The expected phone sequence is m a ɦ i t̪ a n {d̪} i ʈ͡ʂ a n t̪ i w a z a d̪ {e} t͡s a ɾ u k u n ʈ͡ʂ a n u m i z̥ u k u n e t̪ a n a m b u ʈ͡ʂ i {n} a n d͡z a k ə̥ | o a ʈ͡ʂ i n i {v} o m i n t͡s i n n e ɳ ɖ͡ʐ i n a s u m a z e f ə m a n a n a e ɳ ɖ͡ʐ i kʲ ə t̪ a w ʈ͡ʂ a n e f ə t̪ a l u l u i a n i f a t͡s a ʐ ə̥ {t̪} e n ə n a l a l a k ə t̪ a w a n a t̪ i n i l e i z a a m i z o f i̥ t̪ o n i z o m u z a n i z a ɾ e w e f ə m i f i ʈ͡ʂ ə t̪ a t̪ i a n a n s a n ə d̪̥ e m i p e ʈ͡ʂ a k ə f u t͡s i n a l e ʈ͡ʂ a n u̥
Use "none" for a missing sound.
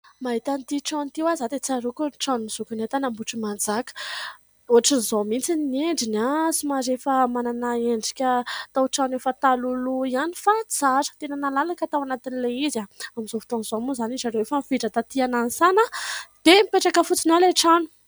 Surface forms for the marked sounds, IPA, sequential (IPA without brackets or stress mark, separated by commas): t̪, e, m, z, t̪